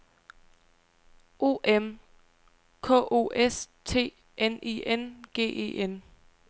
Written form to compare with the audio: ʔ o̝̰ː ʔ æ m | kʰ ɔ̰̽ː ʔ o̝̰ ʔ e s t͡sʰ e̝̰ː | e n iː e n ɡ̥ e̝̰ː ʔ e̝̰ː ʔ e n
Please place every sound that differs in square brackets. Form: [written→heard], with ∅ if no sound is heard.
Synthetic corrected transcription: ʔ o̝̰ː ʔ [æ→e] m | kʰ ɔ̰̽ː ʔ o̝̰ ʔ e s t͡sʰ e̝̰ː | e n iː e n ɡ̥ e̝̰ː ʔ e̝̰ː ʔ e n